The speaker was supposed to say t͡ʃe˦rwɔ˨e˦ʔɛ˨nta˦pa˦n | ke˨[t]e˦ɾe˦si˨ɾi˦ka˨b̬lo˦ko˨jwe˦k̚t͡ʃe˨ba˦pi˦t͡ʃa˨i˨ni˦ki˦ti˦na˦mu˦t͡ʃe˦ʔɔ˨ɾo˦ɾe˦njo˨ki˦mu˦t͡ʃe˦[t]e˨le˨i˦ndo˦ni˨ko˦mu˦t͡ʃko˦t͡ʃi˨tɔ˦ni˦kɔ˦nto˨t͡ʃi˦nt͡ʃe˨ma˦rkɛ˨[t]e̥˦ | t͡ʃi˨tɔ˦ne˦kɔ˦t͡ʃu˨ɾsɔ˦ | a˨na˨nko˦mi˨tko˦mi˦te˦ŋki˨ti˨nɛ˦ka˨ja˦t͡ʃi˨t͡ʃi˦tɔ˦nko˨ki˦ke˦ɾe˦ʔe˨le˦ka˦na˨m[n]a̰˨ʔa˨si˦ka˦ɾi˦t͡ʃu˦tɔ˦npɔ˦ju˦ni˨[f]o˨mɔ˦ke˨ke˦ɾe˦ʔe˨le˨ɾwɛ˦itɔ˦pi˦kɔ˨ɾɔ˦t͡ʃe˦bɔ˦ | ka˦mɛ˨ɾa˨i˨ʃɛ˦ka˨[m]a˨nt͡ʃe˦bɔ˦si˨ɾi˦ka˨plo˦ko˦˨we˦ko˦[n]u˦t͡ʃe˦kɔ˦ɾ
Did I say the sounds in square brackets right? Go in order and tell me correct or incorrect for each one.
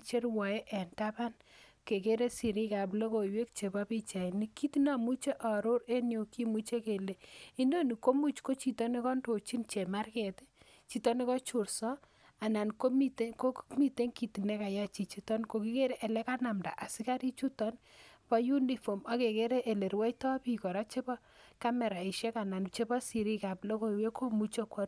incorrect: k, incorrect: k, correct, incorrect: d, correct, incorrect: n, incorrect: m

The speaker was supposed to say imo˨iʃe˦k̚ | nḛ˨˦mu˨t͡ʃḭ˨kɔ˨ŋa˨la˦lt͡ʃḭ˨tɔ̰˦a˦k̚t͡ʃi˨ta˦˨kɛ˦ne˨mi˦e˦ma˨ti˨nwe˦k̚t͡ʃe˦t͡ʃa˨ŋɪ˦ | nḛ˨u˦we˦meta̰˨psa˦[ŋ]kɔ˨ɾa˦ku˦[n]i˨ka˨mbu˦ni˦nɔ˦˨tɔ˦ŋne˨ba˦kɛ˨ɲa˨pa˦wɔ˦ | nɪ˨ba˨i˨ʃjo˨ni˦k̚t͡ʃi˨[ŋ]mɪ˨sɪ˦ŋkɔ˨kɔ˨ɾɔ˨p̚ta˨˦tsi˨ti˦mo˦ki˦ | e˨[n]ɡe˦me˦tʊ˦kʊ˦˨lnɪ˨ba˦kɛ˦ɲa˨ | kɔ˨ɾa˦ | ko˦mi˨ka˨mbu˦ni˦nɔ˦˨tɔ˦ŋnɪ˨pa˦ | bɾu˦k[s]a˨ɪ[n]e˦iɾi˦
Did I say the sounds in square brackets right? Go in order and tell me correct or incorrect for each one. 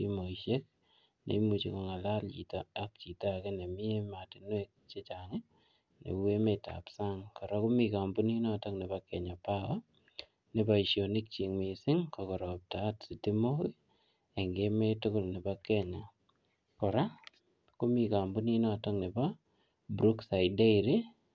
correct, incorrect: m, correct, incorrect: ŋ, correct, incorrect: d

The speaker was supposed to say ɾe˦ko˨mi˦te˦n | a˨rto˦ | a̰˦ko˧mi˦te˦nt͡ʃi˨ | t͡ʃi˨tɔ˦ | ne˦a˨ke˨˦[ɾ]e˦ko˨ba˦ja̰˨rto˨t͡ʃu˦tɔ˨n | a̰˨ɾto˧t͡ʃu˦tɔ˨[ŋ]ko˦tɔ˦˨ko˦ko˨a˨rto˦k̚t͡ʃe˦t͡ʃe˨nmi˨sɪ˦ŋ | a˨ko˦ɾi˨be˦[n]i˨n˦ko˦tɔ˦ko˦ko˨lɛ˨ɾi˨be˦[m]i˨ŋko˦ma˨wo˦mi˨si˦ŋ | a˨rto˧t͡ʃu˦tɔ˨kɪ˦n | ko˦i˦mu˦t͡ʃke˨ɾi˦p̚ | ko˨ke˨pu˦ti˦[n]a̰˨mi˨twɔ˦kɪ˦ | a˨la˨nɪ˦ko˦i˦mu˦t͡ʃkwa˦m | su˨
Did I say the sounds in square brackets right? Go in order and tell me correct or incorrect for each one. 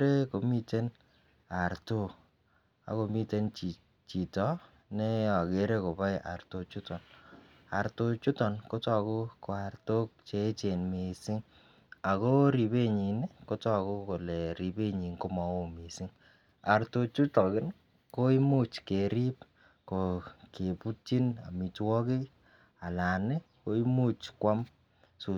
correct, incorrect: n, incorrect: ɲ, incorrect: ɲ, correct

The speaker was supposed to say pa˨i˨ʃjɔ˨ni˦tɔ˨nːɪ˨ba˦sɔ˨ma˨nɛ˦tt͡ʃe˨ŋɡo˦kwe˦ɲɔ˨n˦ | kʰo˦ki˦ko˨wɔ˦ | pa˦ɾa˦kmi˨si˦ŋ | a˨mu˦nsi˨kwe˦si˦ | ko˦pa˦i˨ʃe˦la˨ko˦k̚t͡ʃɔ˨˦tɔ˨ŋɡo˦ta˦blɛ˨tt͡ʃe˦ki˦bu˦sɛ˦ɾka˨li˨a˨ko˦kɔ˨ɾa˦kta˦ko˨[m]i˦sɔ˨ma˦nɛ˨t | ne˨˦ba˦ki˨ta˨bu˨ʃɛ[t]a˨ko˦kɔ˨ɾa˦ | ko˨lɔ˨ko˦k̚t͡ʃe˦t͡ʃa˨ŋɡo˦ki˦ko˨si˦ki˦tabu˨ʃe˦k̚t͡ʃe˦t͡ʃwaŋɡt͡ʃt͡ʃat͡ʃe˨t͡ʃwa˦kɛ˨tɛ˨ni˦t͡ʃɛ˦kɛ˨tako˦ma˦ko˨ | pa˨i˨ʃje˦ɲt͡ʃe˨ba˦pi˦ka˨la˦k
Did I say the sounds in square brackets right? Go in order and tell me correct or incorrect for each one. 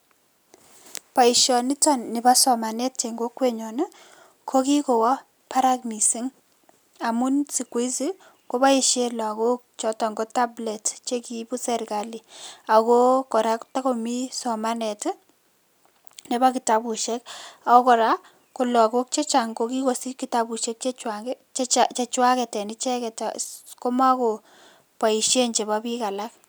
correct, incorrect: k

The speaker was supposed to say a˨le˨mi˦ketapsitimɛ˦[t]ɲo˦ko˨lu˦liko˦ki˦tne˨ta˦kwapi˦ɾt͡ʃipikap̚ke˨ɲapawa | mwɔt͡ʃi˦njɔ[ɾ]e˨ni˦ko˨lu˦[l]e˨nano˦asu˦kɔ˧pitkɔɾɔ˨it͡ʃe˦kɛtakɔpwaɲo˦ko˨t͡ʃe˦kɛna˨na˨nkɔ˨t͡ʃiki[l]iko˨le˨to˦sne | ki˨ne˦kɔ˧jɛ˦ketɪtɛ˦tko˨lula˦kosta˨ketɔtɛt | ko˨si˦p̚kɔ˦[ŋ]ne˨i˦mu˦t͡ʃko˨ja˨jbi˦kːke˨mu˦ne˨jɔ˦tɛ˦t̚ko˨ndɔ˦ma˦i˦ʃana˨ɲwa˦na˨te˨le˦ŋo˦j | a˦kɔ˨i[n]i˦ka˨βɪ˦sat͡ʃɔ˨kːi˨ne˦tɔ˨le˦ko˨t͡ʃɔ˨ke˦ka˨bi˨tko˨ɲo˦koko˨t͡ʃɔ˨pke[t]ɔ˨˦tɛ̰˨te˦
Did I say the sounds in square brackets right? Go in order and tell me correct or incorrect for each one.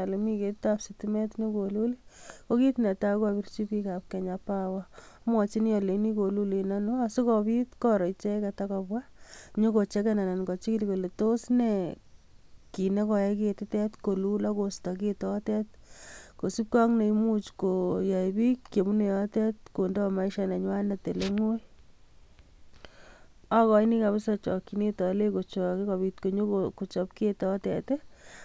correct, incorrect: l, correct, correct, correct, correct, correct

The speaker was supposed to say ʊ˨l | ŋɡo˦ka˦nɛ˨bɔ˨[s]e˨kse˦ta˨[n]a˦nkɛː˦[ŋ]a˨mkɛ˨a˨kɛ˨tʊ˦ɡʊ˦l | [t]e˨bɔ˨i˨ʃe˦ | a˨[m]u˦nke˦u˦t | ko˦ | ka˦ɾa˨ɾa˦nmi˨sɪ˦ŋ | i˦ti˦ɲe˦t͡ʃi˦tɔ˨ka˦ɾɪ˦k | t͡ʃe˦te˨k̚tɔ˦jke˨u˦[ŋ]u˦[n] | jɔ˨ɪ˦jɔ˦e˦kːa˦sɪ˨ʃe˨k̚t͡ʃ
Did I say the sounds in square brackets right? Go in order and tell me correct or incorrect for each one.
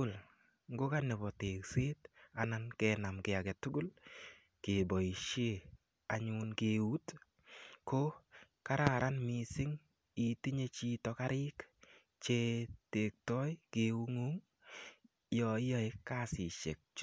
incorrect: t, correct, incorrect: n, incorrect: k, incorrect: ɲ, correct, incorrect: ŋ

